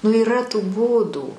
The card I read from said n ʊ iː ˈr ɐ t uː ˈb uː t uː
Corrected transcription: n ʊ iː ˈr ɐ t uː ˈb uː d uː